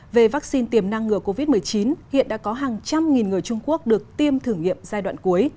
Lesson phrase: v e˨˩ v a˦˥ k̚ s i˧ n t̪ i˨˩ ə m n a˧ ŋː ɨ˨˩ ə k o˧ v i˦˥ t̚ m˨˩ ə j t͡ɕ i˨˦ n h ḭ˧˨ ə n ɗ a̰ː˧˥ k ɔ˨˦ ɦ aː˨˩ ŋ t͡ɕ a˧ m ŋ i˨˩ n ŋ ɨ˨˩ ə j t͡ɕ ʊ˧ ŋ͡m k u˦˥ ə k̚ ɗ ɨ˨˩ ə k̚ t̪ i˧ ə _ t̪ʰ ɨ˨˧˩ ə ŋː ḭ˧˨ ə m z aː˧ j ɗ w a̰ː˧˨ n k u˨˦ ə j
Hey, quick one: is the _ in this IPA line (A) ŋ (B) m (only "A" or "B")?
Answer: B